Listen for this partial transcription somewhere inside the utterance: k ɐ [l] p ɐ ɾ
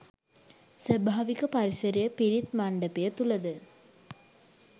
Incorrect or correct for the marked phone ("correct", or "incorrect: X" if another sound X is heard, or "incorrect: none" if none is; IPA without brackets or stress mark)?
incorrect: none